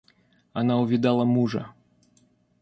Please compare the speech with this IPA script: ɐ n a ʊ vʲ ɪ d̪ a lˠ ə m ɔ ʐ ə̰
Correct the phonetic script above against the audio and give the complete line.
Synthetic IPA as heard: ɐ n a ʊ vʲ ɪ d̪ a lˠ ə m u ʐ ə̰